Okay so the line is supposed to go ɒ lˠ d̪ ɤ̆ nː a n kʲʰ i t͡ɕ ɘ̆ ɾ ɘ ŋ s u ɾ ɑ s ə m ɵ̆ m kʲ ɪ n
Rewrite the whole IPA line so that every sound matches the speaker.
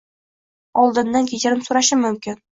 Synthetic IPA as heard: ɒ lˠ d̪ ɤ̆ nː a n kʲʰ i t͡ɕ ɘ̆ ɾ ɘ m s u ɾ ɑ ʃ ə m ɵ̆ m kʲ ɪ n